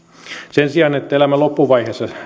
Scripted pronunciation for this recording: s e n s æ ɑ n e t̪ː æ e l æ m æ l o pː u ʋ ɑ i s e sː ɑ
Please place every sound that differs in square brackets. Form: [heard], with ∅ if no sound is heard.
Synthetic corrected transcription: s e n s [i] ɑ n e t̪ː æ e l æ m æ l o pː u ʋ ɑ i [h] e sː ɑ